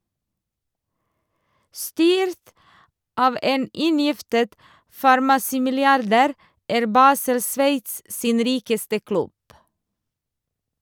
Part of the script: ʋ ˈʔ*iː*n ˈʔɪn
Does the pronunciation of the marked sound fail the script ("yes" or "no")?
yes